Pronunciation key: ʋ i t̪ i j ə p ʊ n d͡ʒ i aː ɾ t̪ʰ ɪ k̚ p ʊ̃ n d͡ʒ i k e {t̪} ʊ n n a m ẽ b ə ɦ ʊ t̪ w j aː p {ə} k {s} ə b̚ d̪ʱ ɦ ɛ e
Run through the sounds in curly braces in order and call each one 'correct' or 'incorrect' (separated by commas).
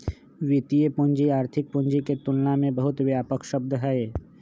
correct, correct, incorrect